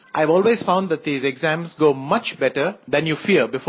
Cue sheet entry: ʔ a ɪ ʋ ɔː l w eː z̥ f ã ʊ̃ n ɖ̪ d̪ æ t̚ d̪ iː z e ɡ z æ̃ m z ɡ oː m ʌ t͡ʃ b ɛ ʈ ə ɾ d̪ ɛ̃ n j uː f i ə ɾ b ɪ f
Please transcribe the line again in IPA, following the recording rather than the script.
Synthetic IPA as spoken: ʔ a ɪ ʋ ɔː l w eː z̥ f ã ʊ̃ n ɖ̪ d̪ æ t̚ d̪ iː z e ɡ z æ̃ m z ɡ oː m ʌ t͡ʃ b ɛ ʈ ə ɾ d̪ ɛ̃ n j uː f i ə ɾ b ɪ f